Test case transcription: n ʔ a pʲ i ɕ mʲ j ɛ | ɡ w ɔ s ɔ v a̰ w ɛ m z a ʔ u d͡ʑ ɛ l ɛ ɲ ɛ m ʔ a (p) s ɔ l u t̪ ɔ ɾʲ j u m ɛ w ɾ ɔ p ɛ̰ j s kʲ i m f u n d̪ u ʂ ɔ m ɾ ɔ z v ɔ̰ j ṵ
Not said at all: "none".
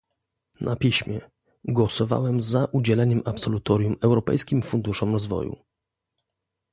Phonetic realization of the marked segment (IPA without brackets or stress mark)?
p